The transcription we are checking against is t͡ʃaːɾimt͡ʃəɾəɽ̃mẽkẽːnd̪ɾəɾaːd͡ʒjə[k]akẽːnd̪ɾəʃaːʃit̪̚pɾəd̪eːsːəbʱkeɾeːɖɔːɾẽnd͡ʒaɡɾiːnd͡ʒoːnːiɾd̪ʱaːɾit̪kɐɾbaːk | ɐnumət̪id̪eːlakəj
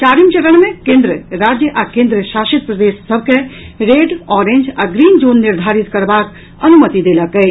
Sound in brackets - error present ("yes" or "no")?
yes